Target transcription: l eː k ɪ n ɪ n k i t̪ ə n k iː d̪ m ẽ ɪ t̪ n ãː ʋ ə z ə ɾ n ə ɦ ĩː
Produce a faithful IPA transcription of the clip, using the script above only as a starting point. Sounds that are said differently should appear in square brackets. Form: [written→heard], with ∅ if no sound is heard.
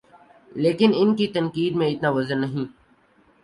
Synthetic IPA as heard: l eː k ɪ n ɪ n k i t̪ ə n k iː d̪ m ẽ ɪ t̪ n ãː ʋ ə z ə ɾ n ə ɦ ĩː